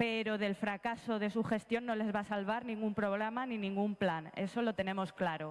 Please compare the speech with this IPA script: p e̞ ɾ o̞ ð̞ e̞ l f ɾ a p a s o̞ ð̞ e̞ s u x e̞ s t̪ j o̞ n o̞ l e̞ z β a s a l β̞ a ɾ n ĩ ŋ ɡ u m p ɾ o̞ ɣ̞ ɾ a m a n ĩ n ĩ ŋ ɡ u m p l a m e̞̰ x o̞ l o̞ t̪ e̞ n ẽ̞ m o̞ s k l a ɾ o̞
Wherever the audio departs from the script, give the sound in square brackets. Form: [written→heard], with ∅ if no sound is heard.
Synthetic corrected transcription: p e̞ ɾ o̞ ð̞ e̞ l f ɾ a [p→k] a s o̞ ð̞ e̞ s u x e̞ s t̪ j o̞ [n→nː] o̞ l e̞ z β a s a l β̞ a ɾ n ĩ ŋ ɡ u m p ɾ o̞ ɣ̞ ɾ a m a n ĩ n ĩ ŋ ɡ u m p l a [m→n] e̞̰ [x→s] o̞ l o̞ t̪ e̞ n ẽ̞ m o̞ s k l a ɾ o̞